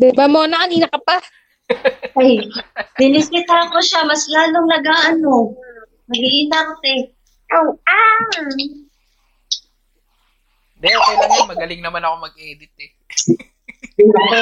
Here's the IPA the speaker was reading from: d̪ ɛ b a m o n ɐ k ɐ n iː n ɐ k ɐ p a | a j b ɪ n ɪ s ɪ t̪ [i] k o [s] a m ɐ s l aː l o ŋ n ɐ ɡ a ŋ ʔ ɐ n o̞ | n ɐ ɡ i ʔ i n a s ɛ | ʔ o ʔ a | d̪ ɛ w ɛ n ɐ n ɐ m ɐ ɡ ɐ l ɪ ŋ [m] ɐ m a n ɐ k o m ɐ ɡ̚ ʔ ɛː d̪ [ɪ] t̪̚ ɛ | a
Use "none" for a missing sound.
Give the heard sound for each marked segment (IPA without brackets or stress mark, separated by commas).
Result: a, ʃ, n, ɪ